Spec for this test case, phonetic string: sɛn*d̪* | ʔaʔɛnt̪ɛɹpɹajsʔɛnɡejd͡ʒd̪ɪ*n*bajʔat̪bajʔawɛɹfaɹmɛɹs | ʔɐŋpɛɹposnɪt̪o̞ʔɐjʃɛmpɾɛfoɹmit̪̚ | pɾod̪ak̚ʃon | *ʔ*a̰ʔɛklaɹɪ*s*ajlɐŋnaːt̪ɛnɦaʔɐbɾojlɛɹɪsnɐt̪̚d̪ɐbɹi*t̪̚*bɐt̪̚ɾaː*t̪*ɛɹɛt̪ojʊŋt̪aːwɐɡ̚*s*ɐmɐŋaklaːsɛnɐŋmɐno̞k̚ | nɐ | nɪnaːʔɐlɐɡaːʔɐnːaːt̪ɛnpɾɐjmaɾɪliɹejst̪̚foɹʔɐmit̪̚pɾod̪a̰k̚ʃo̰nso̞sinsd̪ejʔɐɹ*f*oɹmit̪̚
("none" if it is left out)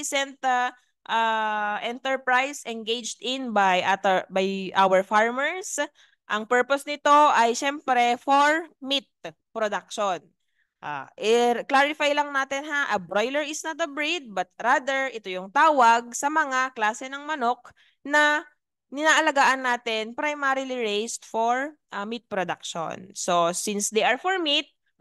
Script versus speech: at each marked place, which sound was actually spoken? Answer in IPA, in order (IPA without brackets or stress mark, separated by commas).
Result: t̪, n, ʔ, f, d̪̚, d̪, s, f